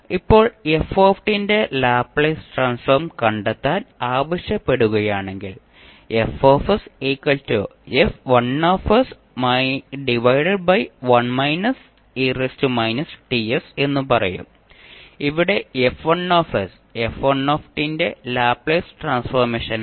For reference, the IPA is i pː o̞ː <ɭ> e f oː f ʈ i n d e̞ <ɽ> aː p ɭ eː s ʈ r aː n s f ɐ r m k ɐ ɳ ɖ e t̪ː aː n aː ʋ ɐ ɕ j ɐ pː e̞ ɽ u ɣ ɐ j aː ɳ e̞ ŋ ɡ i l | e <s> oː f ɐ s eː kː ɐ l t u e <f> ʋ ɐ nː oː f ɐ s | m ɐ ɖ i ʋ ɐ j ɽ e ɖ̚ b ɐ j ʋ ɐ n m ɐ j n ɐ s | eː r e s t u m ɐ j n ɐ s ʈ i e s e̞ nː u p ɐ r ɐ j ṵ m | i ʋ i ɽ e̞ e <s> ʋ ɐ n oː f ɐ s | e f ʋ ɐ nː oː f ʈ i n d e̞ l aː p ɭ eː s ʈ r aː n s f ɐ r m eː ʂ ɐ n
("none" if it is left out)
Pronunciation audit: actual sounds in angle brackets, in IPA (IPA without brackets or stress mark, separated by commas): ɭ, l, f, f, f